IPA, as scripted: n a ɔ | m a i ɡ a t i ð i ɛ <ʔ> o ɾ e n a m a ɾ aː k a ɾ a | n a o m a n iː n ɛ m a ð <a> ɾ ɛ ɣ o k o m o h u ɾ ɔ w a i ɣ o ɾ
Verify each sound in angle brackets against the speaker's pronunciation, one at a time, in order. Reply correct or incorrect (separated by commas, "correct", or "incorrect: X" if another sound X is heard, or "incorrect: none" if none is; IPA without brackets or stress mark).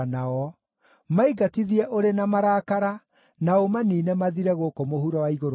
correct, incorrect: i